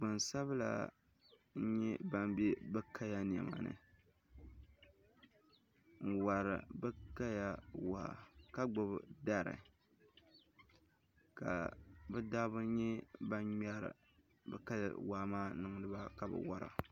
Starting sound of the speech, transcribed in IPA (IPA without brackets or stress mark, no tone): ɡ͡b